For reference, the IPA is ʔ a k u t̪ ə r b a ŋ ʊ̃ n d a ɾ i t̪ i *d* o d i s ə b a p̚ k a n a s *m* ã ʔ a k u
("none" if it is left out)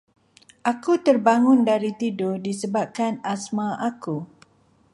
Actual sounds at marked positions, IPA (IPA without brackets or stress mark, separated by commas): d, m